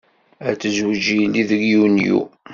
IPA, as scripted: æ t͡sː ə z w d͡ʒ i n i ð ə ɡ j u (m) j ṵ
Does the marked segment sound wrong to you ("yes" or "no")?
yes